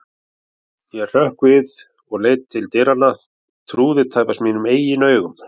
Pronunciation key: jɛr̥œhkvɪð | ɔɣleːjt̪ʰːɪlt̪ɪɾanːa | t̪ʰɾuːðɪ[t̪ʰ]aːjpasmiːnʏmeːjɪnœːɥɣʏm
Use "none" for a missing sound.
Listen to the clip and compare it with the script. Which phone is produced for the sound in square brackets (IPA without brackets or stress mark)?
t̪ʰ